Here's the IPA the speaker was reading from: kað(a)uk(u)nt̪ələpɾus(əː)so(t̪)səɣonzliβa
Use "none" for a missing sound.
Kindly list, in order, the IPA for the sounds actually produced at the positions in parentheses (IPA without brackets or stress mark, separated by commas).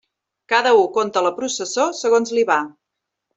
ə, o, ə, none